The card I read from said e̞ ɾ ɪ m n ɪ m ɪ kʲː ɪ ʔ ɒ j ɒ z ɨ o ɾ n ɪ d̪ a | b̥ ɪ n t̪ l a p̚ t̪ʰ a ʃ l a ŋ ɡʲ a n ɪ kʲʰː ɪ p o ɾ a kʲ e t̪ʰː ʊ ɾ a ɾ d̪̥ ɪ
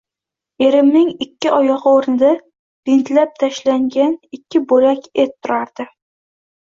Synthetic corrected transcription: e̞ ɾ ɪ m n ɪ ŋ ɪ kʲː ɪ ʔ ɒ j ɒ ʁ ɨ o ɾ n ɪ d̪ a | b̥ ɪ n t̪ l a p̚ t̪ʰ a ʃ l a ŋ ɡʲ a n ɪ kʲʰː ɪ b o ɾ a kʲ e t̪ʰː ʊ ɾ a ɾ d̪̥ ɪ

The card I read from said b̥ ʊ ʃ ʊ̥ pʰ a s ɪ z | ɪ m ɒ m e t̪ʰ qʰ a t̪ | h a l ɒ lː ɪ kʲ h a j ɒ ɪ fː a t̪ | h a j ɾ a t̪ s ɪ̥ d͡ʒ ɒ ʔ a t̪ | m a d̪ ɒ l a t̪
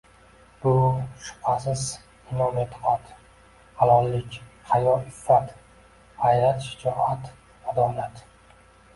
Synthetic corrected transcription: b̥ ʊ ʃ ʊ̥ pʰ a s ɪ z | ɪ n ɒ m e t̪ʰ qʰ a t̪ | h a l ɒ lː ɪ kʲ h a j ɒ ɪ fː a t̪ | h a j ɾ a t̪ ʃ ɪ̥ d͡ʒ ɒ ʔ a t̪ | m a d̪ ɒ l a t̪

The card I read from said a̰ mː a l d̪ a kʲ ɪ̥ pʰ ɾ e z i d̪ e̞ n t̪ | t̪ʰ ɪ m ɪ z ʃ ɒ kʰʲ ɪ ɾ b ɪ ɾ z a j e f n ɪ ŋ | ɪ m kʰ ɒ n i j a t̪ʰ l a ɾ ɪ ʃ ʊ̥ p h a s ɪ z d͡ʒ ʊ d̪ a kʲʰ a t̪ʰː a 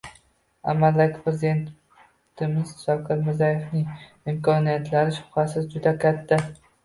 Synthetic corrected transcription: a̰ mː a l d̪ a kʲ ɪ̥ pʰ ɾ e z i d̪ e̞ n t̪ | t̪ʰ ɪ m ɪ z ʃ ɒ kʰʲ ɪ ɾ m ɪ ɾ z a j e f n ɪ ŋ | ɪ m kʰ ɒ n i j a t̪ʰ l a ɾ ɪ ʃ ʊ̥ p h a s ɪ z d͡ʒ ʊ d̪ a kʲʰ a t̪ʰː a

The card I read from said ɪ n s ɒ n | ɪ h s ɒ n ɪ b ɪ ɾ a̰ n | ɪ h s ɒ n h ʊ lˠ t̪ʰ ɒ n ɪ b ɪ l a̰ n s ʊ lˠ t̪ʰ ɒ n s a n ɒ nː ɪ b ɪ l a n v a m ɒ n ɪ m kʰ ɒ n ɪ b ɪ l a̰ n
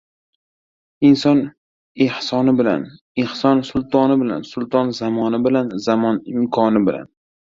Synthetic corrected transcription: ɪ n s ɒ n | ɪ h s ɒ n ɪ b ɪ l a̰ n | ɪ h s ɒ n s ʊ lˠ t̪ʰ ɒ n ɪ b ɪ l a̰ n s ʊ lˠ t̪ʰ ɒ n z a m ɒ n ɪ b ɪ l a n z a m ɒ n ɪ m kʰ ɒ n ɪ b ɪ l a̰ n

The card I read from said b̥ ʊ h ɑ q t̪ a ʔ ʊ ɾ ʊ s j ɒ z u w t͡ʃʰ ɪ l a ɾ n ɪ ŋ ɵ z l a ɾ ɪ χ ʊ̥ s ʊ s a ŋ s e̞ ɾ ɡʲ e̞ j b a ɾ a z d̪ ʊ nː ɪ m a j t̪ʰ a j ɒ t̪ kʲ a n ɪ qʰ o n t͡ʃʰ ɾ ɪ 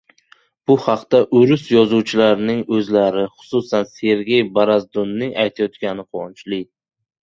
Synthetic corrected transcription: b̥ ʊ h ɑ q t̪ a ʔ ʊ ɾ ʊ s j ɒ z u w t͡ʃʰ ɪ l a ɾ n ɪ ŋ ɵ z l a ɾ ɪ χ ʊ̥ s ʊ s a n s e̞ ɾ ɡʲ e̞ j b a ɾ a z d̪ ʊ nː ɪ ŋ a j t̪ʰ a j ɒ t̪ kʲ a n ɪ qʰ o n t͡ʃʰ l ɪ

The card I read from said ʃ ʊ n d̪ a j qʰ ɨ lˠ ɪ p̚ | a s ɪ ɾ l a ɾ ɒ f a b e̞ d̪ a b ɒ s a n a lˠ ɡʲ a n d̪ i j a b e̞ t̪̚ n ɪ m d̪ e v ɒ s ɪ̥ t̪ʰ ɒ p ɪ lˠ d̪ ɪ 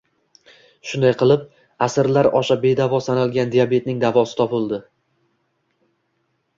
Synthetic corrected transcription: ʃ ʊ n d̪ a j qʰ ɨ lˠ ɪ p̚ | a s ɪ ɾ l a ɾ ɒ ʃ a b e̞ d̪ a v ɒ s a n a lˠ ɡʲ a n d̪ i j a b e̞ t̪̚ n ɪ ŋ d̪ a v ɒ s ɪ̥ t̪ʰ ɒ p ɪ lˠ d̪ ɪ

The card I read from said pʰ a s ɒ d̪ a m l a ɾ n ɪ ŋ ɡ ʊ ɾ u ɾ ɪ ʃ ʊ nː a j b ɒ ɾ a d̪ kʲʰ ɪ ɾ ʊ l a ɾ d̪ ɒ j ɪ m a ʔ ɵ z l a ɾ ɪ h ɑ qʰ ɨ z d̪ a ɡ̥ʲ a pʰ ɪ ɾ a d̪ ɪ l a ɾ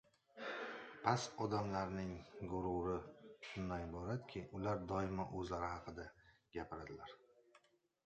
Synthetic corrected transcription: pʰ a s ɒ d̪ a m l a ɾ n ɪ ŋ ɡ ʊ ɾ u ɾ ɪ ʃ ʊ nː a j b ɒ ɾ a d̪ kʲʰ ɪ ʊ l a ɾ d̪ ɒ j ɪ m a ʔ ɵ z l a ɾ ɪ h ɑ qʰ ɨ d̪ a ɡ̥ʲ a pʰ ɪ ɾ a d̪ ɪ l a ɾ

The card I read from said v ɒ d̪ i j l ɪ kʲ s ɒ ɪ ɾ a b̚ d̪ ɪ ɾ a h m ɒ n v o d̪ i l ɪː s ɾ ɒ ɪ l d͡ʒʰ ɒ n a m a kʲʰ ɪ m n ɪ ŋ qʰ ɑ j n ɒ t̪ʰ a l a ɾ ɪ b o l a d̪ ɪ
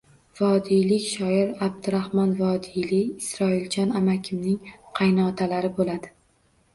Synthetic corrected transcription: v ɒ d̪ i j l ɪ kʲ ʃ ɒ ɪ ɾ a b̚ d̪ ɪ ɾ a h m ɒ n v ɒ d̪ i l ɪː s ɾ ɒ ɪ l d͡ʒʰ ɒ n a m a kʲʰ ɪ m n ɪ ŋ qʰ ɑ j n ɒ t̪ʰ a l a ɾ ɪ b o l a d̪ ɪ

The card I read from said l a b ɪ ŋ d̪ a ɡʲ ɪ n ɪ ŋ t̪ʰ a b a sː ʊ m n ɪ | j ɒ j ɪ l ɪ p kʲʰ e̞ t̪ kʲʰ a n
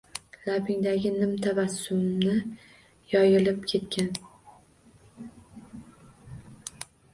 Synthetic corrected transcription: l a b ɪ ŋ d̪ a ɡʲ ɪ n ɪ m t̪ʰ a v a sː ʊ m n ɪ | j ɒ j ɪ l ɪ p kʲʰ e̞ t̪ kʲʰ a n

